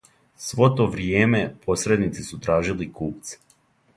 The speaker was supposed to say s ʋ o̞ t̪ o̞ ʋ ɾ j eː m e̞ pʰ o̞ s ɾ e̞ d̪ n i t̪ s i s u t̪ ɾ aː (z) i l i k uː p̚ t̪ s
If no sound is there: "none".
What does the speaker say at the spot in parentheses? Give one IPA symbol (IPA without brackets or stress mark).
ʒ